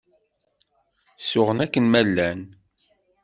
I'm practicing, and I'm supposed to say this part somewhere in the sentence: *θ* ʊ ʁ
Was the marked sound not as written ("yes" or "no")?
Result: yes